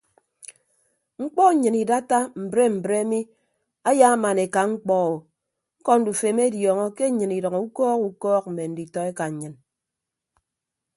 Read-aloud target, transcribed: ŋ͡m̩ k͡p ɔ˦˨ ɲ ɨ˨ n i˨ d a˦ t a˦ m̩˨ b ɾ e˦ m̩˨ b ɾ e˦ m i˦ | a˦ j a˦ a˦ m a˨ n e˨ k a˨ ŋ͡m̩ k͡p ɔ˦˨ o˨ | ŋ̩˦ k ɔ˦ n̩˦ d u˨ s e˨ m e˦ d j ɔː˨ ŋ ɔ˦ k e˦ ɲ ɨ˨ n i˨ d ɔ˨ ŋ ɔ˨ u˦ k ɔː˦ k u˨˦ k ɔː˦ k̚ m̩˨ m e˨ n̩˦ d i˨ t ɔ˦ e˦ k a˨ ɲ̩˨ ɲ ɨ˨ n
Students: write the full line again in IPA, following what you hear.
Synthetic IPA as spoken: ŋ͡m̩ k͡p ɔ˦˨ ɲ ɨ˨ n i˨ d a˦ t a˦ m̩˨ b ɾ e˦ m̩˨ b ɾ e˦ m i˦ | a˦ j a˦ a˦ m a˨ n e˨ k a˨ ŋ͡m̩ k͡p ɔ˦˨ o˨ | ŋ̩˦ k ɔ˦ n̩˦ d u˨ f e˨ m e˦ d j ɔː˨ ŋ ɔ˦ k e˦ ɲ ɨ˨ n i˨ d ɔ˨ ŋ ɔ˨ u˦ k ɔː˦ k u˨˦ k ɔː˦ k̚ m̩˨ m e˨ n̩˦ d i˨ t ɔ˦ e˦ k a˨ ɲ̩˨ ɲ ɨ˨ n